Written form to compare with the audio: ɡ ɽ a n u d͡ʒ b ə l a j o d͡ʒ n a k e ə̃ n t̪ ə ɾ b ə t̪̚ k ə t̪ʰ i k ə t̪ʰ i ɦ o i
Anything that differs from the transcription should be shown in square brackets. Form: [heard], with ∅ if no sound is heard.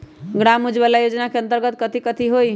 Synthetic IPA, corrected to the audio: ɡ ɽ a [m] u d͡ʒ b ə l a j o d͡ʒ n a k e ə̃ n t̪ ə ɾ [ɡ] ə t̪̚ k ə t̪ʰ i k ə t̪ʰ i ɦ o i